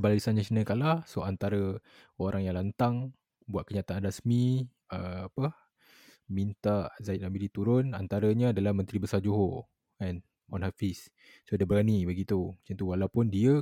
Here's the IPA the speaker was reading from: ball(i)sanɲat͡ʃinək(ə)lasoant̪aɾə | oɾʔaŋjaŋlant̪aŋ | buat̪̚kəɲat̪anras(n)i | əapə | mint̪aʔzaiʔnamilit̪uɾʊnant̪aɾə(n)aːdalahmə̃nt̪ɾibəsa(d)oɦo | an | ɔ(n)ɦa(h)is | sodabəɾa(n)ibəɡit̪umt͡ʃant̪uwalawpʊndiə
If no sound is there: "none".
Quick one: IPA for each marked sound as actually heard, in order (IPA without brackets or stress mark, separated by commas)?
i, a, m, ɲ, d͡ʒ, n, f, n